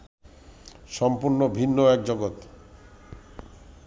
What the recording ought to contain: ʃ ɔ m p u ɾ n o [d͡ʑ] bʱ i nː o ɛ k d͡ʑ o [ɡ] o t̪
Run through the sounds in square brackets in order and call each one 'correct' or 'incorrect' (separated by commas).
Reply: incorrect, correct